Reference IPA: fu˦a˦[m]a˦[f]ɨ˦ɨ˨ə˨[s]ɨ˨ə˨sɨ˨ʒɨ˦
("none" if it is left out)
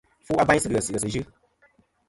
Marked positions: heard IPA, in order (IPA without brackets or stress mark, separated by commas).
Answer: b, s, s